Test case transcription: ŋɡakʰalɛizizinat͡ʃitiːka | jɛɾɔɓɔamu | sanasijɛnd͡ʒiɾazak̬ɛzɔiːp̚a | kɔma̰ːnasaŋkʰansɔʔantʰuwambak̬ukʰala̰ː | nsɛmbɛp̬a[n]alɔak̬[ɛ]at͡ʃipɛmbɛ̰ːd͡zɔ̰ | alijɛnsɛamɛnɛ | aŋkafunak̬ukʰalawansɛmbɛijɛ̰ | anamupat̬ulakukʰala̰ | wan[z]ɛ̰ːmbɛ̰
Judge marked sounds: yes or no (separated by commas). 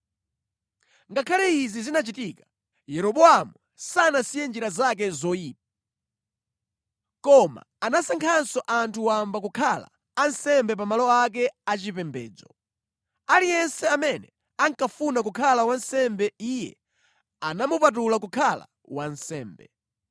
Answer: no, yes, no